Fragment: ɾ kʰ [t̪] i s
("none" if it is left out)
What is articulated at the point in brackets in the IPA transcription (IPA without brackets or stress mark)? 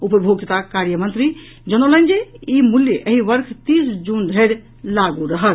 t̪